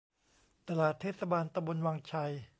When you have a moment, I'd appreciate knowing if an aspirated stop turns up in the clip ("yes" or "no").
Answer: yes